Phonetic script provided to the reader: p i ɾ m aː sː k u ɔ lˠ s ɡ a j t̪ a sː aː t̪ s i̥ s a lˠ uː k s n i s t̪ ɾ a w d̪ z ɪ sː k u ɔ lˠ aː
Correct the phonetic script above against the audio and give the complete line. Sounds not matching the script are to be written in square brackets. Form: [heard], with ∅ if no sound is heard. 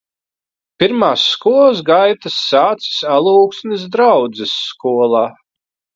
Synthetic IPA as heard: p i ɾ m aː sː k u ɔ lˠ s ɡ a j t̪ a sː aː t̪ s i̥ s a lˠ uː k s n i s [d̪] ɾ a w d̪ z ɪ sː k u ɔ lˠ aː